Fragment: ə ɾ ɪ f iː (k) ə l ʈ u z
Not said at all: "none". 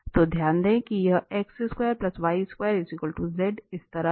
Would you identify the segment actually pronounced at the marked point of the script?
k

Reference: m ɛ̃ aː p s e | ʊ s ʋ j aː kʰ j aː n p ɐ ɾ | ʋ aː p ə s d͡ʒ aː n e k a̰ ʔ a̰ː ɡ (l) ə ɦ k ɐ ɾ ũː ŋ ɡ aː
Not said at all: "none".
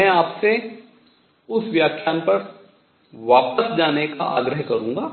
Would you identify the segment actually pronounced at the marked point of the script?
ɾ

